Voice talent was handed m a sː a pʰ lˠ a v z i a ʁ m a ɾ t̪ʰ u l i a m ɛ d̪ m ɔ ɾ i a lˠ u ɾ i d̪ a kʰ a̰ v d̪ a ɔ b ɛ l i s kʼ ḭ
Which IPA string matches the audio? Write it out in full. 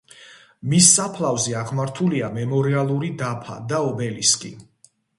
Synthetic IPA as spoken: m i sː a pʰ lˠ a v z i a ʁ m a ɾ t̪ʰ u l i a m ɛ m ɔ ɾ i a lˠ u ɾ i d̪ a pʰ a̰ d̪ a ɔ b ɛ l i s kʼ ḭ